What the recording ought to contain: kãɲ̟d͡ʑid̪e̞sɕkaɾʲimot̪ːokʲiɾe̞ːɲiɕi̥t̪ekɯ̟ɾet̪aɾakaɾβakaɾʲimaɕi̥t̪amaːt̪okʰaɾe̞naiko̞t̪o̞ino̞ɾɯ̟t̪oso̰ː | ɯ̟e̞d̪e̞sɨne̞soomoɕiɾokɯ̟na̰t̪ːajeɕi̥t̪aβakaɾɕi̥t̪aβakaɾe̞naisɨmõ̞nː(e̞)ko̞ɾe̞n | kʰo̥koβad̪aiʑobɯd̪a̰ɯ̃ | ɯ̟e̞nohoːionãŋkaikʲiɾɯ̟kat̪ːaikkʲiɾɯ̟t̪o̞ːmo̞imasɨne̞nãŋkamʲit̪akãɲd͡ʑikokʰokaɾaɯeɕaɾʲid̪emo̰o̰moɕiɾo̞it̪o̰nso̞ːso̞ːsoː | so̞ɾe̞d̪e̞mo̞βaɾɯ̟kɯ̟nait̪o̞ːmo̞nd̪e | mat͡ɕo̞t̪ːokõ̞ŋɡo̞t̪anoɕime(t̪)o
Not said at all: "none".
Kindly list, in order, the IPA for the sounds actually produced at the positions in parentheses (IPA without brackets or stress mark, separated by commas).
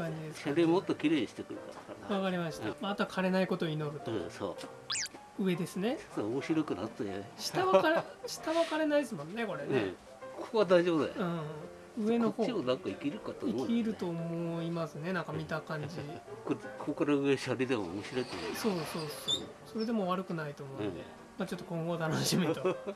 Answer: e̞, t̪